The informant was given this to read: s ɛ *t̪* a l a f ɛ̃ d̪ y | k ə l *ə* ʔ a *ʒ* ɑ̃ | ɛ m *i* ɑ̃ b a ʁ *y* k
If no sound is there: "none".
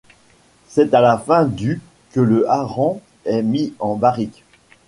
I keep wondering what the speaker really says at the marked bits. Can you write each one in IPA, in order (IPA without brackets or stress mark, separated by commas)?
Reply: t̪, ə, ʁ, i, i